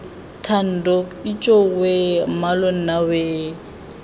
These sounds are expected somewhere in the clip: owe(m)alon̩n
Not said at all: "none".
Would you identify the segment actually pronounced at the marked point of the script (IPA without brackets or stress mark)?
m